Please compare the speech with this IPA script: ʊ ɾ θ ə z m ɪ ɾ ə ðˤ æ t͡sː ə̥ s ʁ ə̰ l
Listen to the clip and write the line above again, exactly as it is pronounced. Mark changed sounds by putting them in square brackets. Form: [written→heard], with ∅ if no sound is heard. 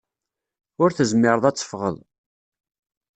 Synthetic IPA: ʊ ɾ θ ə z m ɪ ɾ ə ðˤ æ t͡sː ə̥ [s→f] ʁ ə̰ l